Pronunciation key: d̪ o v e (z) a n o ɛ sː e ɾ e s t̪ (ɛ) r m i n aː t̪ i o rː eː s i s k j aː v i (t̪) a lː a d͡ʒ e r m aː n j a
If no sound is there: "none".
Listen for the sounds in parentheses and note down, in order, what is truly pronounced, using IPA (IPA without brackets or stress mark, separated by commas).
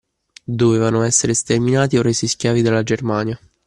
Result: v, e, d̪